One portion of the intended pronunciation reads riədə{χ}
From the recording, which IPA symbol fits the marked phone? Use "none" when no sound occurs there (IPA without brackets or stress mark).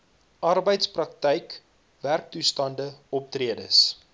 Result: s